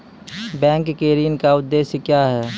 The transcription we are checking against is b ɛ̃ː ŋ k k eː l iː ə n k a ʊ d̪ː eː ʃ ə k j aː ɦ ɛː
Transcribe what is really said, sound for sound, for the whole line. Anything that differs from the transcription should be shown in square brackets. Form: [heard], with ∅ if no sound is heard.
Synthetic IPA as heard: b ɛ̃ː ŋ k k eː [ɾ] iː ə n k a ʊ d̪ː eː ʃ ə k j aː ɦ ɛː